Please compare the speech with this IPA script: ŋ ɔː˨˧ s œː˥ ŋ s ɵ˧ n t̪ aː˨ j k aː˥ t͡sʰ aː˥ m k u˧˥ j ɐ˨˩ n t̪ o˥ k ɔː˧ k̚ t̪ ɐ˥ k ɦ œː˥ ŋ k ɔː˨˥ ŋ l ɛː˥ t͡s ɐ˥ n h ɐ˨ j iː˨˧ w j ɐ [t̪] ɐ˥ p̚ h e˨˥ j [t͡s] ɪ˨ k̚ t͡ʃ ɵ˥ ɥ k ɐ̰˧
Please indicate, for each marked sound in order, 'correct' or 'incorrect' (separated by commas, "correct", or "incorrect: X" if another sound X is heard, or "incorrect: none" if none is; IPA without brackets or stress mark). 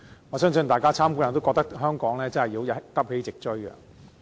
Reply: correct, correct